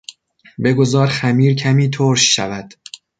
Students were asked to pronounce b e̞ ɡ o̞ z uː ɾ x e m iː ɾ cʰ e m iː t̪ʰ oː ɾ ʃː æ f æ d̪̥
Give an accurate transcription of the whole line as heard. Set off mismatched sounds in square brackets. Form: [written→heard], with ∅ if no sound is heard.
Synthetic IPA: b e̞ ɡ o̞ z [uː→ɒː] ɾ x [e→æ] m iː ɾ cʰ [e→æ] m iː t̪ʰ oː ɾ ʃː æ [f→v] æ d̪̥